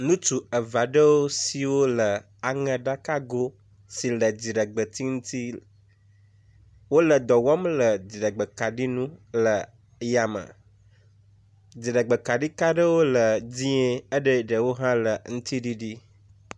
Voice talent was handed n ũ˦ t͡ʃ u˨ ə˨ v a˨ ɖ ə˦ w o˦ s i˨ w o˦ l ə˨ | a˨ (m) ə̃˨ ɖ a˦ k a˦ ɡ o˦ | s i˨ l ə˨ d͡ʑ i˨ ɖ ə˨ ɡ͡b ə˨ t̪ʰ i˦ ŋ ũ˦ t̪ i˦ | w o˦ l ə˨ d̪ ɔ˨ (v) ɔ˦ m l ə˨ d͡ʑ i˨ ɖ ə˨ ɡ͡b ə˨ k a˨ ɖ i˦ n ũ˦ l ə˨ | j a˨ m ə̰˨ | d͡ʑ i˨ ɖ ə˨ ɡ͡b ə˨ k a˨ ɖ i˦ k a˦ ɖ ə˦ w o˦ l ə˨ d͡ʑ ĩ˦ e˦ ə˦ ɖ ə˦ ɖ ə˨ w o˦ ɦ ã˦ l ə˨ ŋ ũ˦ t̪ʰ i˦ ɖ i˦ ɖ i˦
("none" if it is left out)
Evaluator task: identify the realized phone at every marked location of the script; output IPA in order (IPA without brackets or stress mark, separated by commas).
ŋ, w